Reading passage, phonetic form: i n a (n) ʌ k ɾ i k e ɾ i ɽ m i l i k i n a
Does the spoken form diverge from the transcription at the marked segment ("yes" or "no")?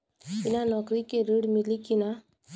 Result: no